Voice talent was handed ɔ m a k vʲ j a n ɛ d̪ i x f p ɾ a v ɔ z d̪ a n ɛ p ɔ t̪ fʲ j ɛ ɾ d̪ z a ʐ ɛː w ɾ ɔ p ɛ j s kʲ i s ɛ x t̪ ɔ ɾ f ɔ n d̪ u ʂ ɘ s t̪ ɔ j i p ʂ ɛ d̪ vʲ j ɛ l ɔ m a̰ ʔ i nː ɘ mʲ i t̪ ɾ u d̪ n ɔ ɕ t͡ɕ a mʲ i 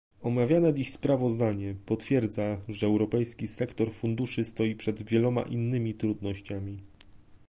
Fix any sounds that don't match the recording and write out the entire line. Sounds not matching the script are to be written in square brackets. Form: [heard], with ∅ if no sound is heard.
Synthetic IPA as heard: ɔ m a [∅] vʲ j a n ɛ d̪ i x [s] p ɾ a v ɔ z d̪ a [ɲ] ɛ p ɔ t̪ fʲ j ɛ ɾ d̪ z a ʐ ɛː w ɾ ɔ p ɛ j s kʲ i s ɛ [k] t̪ ɔ ɾ f [u] n d̪ u ʂ ɘ s t̪ ɔ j i p ʂ ɛ d̪ vʲ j ɛ l ɔ m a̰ ʔ i nː ɘ mʲ i t̪ ɾ u d̪ n ɔ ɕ t͡ɕ a mʲ i